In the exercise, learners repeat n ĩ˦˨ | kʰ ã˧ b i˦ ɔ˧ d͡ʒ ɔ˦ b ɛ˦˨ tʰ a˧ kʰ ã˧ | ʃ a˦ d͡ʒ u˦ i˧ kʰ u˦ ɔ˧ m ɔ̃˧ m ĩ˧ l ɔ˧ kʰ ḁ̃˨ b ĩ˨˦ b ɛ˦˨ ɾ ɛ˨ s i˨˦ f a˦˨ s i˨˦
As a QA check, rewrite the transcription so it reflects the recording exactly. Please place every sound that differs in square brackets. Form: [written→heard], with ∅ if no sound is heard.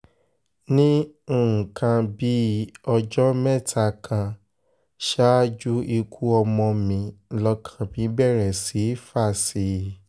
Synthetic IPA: n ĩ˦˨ | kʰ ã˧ b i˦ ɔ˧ d͡ʒ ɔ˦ [b→m] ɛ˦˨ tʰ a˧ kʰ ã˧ | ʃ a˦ d͡ʒ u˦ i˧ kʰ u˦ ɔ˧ m ɔ̃˧ m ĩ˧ l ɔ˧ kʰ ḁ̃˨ b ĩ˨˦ b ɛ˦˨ ɾ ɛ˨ s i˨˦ f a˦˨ s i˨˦